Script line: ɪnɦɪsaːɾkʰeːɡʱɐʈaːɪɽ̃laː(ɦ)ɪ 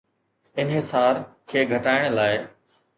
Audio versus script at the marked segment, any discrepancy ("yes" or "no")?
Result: yes